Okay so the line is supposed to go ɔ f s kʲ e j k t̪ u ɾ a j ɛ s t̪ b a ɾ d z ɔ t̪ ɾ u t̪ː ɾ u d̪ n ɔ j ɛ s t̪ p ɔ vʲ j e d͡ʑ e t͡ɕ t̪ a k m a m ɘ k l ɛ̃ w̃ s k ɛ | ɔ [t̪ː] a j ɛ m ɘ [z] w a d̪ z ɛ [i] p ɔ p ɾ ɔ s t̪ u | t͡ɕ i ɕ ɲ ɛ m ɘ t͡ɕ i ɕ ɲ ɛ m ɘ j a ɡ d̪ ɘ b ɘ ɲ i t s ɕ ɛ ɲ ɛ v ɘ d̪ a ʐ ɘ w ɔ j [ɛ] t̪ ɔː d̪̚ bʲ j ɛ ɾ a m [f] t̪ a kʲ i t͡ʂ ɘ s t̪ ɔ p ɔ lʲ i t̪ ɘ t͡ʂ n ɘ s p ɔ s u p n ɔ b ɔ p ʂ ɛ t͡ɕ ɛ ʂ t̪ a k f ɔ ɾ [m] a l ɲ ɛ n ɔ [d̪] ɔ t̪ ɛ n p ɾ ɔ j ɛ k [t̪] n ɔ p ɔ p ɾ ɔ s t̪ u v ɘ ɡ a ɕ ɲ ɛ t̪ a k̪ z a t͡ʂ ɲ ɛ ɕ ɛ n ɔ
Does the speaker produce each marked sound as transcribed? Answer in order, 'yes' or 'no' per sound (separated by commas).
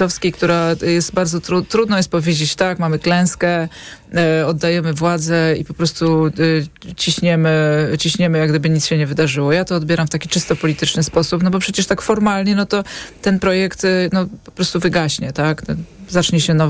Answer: no, no, yes, no, yes, yes, no, yes